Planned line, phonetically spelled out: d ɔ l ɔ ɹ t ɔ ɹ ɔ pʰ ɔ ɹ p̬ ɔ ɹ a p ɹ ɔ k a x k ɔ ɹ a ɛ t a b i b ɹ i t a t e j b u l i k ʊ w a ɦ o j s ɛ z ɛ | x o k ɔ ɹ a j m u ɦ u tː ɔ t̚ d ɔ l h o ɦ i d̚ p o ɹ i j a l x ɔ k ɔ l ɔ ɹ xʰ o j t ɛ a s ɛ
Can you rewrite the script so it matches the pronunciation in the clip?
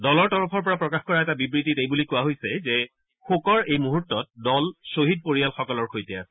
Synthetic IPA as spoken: d ɔ l ɔ ɹ t ɔ ɹ ɔ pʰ ɔ ɹ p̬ ɔ ɹ a p ɹ ɔ k a x k ɔ ɹ a ɛ t a b i b ɹ i t i t e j b u l i k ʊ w a ɦ o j s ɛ z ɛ | x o k ɔ ɹ e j m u ɦ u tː ɔ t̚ d ɔ l s o ɦ i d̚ p o ɹ i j a l x ɔ k ɔ l ɔ ɹ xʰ o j t ɛ a s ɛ